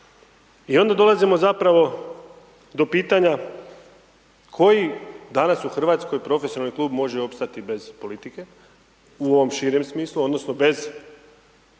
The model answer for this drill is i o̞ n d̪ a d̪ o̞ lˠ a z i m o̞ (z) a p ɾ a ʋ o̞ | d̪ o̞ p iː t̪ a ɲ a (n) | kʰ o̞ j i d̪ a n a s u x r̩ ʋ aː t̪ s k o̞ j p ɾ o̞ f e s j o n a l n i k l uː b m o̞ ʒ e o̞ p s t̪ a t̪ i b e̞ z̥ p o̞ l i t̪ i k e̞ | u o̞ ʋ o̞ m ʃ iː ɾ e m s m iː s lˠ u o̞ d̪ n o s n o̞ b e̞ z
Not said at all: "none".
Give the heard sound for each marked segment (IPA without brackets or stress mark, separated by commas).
z, none